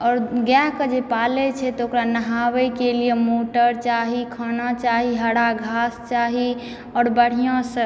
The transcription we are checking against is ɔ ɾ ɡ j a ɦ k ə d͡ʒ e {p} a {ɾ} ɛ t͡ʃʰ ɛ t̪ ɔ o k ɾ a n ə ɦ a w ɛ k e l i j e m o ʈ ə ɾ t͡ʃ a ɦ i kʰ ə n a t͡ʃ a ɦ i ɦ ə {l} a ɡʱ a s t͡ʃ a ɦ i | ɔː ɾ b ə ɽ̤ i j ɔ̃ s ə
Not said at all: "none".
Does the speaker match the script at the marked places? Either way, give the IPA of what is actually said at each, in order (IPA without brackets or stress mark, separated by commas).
p, l, ɽ